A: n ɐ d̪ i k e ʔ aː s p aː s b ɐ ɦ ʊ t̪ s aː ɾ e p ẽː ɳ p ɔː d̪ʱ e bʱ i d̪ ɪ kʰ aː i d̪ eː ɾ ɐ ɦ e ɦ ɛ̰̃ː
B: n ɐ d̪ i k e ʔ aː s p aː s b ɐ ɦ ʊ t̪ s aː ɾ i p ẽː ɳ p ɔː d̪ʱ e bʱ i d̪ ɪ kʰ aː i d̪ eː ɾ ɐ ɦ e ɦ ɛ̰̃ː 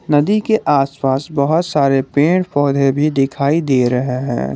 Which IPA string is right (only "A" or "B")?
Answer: A